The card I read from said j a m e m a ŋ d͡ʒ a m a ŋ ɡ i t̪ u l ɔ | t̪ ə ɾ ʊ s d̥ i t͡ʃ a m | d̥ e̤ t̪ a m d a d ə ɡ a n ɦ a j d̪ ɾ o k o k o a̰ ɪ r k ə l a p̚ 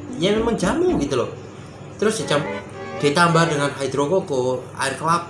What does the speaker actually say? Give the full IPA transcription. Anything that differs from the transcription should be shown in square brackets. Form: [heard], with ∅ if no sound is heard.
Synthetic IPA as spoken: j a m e m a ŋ d͡ʒ a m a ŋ ɡ i t̪ u l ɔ | t̪ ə ɾ ʊ s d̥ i t͡ʃ a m | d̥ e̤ t̪ a m [b] a d ə [ŋ] a n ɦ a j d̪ ɾ o k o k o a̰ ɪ r k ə l a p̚